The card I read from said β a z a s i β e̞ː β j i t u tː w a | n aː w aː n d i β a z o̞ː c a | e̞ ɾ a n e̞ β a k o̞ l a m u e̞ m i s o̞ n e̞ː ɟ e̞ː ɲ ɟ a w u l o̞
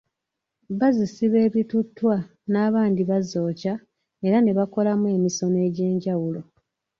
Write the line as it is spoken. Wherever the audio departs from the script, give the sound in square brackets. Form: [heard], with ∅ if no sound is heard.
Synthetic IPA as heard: β a z [i] s i β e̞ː β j i t u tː w a | n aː [β] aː n d i β a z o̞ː c a | e̞ ɾ a n e̞ β a k o̞ l a m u e̞ m i s o̞ n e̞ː ɟ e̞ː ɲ ɟ a w u l o̞